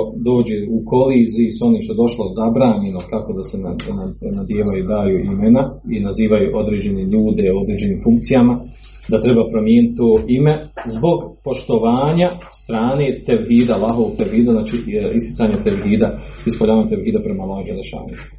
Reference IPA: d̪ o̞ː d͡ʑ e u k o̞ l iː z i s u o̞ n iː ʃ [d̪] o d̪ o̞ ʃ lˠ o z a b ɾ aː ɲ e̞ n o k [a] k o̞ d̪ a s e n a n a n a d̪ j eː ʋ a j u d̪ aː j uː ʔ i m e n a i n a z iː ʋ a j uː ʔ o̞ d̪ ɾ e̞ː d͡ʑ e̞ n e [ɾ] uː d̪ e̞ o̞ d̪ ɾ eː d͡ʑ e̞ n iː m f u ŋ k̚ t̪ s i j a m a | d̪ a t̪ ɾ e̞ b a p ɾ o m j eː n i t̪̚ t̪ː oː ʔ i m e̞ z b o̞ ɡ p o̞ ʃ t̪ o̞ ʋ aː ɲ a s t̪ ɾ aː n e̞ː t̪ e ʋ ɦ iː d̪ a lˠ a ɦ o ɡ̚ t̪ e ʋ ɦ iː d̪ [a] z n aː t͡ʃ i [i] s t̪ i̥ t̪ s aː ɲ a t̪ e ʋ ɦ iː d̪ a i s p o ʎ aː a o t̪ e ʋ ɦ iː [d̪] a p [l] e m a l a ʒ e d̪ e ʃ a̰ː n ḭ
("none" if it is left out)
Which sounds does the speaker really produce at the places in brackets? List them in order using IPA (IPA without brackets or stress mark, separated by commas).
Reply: t̪, a, ʎ, a, i, d̪, ɾ